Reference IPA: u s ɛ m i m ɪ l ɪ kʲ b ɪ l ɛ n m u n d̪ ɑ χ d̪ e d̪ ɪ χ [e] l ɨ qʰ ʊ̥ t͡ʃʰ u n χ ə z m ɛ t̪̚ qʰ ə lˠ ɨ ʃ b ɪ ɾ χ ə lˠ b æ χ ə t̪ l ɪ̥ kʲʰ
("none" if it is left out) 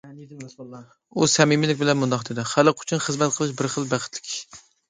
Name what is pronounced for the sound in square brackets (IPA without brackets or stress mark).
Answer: æ